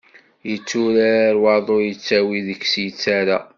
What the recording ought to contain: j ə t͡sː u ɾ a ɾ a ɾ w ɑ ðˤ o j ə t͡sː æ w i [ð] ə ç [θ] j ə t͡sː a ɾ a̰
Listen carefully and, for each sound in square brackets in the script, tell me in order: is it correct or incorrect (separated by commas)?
correct, incorrect